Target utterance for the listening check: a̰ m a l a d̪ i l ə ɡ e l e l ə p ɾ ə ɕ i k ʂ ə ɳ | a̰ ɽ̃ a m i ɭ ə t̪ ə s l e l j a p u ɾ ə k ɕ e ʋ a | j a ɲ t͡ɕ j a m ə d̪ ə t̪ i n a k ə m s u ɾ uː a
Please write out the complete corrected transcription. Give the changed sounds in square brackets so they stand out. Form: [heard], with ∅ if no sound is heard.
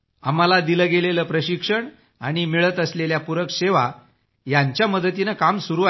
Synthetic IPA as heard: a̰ m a l a d̪ i l ə ɡ e l e l ə p ɾ ə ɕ i k ʂ ə ɳ | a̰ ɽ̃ [i] m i ɭ ə t̪ ə s l e l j a p u ɾ ə k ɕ e ʋ a | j a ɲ t͡ɕ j a m ə d̪ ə t̪ i n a k [a] m s u ɾ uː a